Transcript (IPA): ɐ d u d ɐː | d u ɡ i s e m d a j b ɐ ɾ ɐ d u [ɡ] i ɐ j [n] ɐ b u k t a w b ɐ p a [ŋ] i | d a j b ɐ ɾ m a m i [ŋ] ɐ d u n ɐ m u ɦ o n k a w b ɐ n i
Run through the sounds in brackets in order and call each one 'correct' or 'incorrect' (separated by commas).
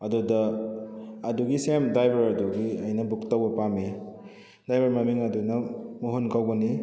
correct, correct, incorrect, correct